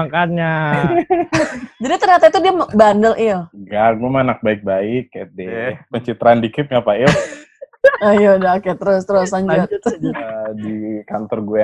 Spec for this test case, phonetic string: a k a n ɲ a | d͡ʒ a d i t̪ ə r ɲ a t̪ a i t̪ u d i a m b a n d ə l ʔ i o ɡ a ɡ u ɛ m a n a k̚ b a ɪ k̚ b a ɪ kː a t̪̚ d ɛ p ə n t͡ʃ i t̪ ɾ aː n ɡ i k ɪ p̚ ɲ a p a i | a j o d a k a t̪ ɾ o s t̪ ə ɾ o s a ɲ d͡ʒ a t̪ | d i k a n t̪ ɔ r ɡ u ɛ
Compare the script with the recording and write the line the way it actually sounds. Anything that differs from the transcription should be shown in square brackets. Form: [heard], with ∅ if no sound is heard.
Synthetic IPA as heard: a k a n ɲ a | d͡ʒ a d i t̪ ə r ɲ a t̪ a i t̪ u d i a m b a n d ə l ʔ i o ɡ a ɡ u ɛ m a n a k̚ b a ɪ k̚ b a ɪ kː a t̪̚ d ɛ p ə [ɲ] t͡ʃ i t̪ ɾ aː n [d] i k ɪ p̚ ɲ a p a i | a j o d a k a t̪ ɾ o s t̪ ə ɾ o s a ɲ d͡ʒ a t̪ | d i k a n t̪ ɔ r ɡ u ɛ